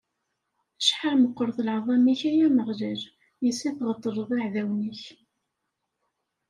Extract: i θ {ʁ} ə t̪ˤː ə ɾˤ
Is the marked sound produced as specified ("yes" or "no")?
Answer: yes